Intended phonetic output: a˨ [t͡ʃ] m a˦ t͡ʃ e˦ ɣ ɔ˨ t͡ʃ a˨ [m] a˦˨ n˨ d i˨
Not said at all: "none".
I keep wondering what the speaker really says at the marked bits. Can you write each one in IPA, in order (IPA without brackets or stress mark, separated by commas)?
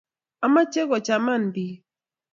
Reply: none, m